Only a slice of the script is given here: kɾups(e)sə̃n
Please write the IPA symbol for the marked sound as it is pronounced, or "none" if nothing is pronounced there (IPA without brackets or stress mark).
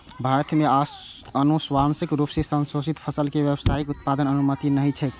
e